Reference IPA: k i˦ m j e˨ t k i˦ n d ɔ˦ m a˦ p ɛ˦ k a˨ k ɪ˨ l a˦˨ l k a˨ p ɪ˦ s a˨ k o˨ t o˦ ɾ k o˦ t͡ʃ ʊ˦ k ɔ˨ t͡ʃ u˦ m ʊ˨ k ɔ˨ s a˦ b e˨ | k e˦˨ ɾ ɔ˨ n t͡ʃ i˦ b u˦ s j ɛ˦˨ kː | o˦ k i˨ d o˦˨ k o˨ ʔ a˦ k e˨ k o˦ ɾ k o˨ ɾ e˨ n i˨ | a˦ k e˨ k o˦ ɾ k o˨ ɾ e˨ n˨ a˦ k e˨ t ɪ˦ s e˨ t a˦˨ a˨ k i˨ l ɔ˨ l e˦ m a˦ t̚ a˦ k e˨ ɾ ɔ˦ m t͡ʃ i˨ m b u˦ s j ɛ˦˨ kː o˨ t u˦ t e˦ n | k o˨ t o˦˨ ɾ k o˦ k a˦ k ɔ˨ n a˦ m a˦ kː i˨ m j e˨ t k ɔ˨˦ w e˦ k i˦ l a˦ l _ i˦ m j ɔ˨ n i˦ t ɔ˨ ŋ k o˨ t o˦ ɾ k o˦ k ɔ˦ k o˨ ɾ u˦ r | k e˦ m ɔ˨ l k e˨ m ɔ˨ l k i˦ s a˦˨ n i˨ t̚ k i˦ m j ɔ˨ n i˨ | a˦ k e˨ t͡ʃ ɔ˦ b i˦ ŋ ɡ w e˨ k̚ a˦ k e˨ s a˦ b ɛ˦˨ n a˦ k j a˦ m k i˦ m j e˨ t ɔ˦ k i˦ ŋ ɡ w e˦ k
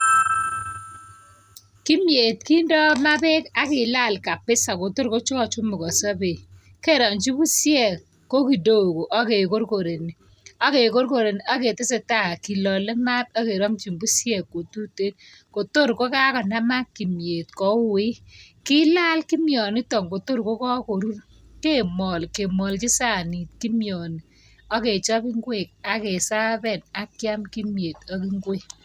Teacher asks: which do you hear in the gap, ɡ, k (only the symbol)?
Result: k